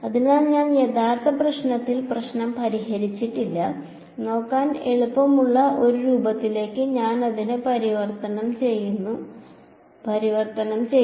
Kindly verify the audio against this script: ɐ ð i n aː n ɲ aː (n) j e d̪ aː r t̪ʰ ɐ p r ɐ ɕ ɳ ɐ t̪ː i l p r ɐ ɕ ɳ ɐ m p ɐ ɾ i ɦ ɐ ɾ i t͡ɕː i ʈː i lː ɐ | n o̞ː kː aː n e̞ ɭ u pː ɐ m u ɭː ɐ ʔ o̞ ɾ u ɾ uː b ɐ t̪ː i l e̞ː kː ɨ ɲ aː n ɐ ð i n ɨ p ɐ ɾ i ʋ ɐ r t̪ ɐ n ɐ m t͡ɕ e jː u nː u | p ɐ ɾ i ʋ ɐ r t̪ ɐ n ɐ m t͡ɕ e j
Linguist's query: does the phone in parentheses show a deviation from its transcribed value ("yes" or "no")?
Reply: no